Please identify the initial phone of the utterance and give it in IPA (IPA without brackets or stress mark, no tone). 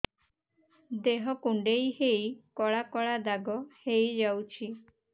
d̪